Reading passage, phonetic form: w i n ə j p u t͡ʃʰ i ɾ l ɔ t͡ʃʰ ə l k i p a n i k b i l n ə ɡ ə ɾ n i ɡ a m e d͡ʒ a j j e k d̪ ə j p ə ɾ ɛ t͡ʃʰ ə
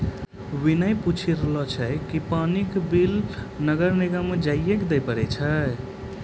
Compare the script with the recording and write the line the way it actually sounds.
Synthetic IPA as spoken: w i n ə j p u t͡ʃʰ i ɾ l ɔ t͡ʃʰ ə k i p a n i k b i l n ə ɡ ə ɾ n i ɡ a m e d͡ʒ a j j e k d̪ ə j p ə ɾ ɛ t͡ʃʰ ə